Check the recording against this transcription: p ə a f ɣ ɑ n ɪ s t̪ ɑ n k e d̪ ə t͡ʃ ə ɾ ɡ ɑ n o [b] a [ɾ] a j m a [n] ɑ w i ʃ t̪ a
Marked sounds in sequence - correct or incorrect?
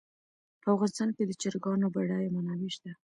correct, incorrect, correct

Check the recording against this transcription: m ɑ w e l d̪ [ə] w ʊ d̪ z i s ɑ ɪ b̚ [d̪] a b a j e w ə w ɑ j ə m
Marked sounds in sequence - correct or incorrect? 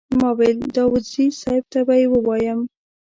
incorrect, incorrect

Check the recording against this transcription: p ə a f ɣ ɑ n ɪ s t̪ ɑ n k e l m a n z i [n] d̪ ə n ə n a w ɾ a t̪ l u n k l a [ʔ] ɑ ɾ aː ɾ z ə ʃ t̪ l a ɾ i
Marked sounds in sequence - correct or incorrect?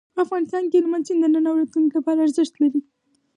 correct, incorrect

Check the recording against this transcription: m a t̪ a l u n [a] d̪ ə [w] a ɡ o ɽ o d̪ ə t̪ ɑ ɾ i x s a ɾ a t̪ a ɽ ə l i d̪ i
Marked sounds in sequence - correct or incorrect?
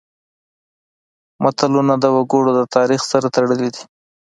correct, correct

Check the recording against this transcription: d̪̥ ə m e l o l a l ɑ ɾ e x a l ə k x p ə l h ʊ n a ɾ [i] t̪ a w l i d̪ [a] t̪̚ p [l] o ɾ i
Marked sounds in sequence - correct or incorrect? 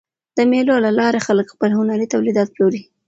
correct, incorrect, correct

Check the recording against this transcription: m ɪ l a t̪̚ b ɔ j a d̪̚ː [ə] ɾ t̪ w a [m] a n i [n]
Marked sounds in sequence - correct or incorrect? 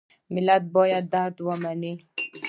incorrect, correct, incorrect

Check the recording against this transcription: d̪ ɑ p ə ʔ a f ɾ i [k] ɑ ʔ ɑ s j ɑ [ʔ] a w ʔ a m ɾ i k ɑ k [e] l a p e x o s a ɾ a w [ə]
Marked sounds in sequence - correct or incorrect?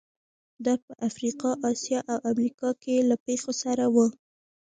incorrect, correct, correct, correct

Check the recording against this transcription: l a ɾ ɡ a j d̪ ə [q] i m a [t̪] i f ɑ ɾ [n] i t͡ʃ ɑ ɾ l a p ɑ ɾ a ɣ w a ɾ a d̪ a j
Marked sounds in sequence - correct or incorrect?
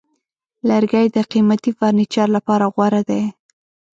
correct, correct, correct

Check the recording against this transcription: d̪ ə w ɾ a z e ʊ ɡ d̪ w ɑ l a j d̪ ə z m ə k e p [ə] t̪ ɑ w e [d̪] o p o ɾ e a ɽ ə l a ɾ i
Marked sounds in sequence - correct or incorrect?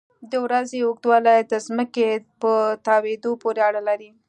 correct, correct

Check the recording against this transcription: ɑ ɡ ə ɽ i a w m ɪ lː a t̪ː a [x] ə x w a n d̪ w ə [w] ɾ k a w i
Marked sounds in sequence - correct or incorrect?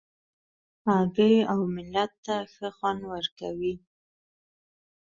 correct, incorrect

